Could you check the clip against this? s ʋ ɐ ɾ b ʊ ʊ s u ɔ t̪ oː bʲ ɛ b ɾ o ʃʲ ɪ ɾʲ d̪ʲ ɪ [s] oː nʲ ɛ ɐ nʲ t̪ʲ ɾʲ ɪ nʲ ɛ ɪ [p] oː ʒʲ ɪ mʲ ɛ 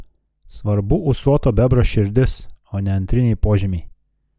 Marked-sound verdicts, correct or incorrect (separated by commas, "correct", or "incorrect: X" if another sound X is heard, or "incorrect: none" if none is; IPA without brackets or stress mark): correct, correct